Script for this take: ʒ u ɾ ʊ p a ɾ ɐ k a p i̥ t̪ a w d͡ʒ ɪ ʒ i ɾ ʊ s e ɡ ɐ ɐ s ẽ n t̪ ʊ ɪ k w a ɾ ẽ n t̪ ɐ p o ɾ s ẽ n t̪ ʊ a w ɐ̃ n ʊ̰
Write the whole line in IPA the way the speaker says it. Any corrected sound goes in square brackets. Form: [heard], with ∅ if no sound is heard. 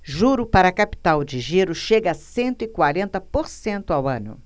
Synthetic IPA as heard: ʒ u ɾ ʊ p a ɾ ɐ k a p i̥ t̪ a w d͡ʒ ɪ ʒ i ɾ ʊ [ʃ] e ɡ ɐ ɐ s ẽ n t̪ ʊ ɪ k w a ɾ ẽ n t̪ ɐ p o ɾ s ẽ n t̪ ʊ a w ɐ̃ n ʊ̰

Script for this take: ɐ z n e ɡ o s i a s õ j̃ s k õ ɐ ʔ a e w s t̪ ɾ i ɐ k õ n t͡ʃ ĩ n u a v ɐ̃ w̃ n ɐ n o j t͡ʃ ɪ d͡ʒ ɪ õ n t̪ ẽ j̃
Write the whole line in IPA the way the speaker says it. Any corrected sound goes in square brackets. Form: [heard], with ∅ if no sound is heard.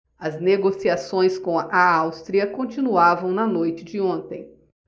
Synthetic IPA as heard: ɐ z n e ɡ o s i a s õ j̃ s k õ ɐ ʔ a [a] w s t̪ ɾ i ɐ k õ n t͡ʃ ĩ n u a v ɐ̃ w̃ n ɐ n o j t͡ʃ ɪ d͡ʒ ɪ õ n t̪ ẽ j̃

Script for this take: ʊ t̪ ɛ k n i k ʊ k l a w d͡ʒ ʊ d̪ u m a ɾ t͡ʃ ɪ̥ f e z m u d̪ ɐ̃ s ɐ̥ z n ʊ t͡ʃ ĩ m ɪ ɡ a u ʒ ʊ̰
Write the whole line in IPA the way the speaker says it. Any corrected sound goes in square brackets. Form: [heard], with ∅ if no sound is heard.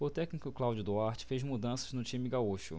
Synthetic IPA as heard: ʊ t̪ ɛ k n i k ʊ k l a w d͡ʒ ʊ d̪ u [∅] a ɾ t͡ʃ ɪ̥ f e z m u d̪ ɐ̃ s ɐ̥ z n ʊ t͡ʃ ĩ m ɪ ɡ a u [ʃ] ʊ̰

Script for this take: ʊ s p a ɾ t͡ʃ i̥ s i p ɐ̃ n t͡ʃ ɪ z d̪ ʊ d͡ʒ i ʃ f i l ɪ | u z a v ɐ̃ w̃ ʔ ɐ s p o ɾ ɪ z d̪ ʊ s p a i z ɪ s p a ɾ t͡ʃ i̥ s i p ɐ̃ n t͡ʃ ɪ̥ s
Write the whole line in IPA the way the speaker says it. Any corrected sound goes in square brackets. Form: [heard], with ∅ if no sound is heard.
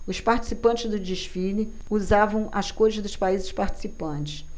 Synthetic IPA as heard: ʊ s p a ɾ t͡ʃ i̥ s i p ɐ̃ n t͡ʃ ɪ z d̪ ʊ d͡ʒ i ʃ f i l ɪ | u z a v ɐ̃ w̃ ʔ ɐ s [k] o ɾ ɪ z d̪ ʊ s p a i z ɪ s p a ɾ t͡ʃ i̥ s i p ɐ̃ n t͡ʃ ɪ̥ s

